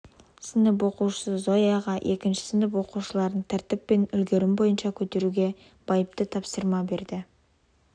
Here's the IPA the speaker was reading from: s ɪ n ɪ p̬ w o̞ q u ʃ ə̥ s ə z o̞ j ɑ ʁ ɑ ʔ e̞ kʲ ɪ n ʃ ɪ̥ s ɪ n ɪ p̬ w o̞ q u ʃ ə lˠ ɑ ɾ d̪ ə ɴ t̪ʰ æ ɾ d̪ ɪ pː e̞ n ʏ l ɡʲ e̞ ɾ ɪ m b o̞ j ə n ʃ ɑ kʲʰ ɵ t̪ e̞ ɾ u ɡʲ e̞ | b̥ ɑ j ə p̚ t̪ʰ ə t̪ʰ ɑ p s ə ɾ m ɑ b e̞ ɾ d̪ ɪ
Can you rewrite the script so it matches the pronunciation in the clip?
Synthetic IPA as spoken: s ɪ n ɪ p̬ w o̞ q u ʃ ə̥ s ə z o̞ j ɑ ʁ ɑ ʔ e̞ kʲ ɪ n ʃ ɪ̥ s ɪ n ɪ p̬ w o̞ q u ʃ ə lˠ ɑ ɾ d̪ ə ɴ t̪ʰ æ ɾ t̪ ɪ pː e̞ n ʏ l ɡʲ e̞ ɾ ɪ m b o̞ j ə n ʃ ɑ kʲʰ ɵ t̪ e̞ ɾ u ɡʲ e̞ | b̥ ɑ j ə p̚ t̪ ə t̪ʰ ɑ p s ə ɾ m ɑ b e̞ ɾ d̪ ɪ